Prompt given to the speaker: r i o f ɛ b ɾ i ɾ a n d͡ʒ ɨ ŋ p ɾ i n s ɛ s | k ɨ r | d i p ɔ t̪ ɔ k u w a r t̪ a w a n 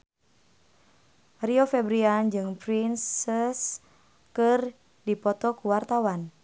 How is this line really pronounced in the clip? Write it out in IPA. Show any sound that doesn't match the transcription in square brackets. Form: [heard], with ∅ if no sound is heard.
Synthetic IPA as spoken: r i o f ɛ b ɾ i [∅] a n d͡ʒ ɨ ŋ p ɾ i n s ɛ s | k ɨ r | d i p ɔ t̪ ɔ k u w a r t̪ a w a n

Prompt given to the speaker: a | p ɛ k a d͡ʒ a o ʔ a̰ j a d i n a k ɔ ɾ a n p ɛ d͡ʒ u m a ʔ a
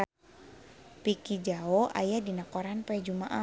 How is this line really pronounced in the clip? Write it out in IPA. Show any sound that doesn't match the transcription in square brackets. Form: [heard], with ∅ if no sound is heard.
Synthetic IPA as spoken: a | p [i] k [i] d͡ʒ a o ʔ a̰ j a d i n a k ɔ ɾ a n p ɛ d͡ʒ u m a ʔ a

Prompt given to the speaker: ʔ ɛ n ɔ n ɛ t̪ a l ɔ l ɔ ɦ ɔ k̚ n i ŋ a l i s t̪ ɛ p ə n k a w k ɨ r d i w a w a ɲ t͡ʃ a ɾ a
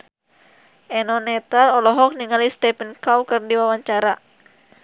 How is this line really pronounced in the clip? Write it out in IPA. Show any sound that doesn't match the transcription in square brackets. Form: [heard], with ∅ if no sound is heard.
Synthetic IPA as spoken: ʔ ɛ n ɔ n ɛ t̪ a l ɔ l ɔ ɦ ɔ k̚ n i ŋ a l i s t̪ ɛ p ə n k a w k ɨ r d i w a w a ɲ t͡ʃ a ɾ a

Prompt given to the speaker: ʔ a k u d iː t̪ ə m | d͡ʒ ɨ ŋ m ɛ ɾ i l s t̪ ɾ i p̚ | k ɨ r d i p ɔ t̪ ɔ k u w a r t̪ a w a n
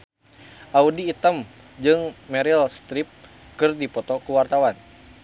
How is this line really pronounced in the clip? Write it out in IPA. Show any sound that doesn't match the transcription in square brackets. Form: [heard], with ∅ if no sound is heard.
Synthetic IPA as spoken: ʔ a [∅] u d iː t̪ ə m | d͡ʒ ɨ ŋ m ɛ ɾ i l s t̪ ɾ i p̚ | k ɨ r d i p ɔ t̪ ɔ k u w a r t̪ a w a n

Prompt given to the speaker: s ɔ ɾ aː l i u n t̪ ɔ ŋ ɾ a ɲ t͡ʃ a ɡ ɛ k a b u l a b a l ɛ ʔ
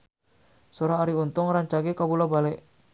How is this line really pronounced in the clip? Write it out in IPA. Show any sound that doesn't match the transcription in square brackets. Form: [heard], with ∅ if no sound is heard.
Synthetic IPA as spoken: s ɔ ɾ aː [ɾ] i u n t̪ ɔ ŋ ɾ a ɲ t͡ʃ a ɡ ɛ k a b u l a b a l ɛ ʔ

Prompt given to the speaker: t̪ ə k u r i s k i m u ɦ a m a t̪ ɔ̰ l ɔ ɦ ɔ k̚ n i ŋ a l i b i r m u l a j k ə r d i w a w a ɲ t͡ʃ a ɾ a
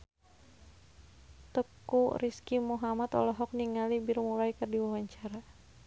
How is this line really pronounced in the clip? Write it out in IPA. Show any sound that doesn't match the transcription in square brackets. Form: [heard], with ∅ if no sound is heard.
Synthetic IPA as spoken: t̪ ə k u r i s k i m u ɦ a m a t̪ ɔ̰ l ɔ ɦ ɔ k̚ n i ŋ a l i b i r m u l a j k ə r d i w a w a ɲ t͡ʃ a ɾ a

